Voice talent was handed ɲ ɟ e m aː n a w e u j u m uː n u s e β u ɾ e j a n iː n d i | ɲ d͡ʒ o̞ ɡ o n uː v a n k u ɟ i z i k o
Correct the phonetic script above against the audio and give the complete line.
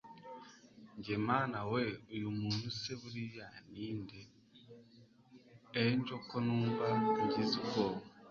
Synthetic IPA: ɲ ɟ e m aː n a w e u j u m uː n u s e β u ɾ i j a n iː n d e | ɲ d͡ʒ o̞ k o n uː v a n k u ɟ i z i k o